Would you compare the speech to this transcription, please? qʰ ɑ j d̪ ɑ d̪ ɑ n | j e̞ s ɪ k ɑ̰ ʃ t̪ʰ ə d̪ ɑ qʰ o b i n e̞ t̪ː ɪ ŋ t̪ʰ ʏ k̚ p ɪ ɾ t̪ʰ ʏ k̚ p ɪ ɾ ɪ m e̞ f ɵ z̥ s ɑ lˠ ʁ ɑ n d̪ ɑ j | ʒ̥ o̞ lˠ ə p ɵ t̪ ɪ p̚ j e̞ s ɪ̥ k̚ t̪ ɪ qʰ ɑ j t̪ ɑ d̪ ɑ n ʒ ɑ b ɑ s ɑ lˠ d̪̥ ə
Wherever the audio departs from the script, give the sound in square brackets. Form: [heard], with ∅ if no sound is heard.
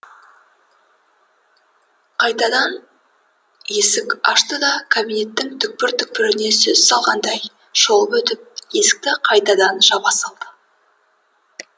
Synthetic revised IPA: qʰ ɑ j [t̪] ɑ d̪ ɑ n | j e̞ s ɪ k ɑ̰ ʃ [t̪] ə d̪ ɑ [kʰ] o b i n e̞ t̪ː ɪ ŋ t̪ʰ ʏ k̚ p ɪ ɾ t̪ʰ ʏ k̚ p ɪ ɾ ɪ [n] e̞ [s] ɵ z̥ s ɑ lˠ ʁ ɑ n d̪ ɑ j | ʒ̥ o̞ lˠ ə p ɵ t̪ ɪ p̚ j e̞ s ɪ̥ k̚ t̪ ɪ qʰ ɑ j t̪ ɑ d̪ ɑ n ʒ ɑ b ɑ s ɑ lˠ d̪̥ ə